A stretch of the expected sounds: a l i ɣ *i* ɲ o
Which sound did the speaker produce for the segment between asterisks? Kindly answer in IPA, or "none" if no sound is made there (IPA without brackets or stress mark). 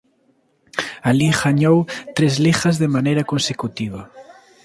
a